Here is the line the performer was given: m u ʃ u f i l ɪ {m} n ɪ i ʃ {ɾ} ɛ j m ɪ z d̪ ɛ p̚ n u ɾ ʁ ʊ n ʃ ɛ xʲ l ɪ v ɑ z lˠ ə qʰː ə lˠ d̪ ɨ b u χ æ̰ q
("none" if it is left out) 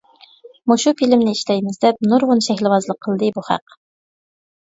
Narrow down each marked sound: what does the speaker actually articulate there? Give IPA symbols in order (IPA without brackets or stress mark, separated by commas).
m, l